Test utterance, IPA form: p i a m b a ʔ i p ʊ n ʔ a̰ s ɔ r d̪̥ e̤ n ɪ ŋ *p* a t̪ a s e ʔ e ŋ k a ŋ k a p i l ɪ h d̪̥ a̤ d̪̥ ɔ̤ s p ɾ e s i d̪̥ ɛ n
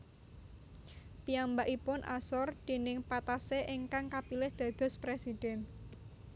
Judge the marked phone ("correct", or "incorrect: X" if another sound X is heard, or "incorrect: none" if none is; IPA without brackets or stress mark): correct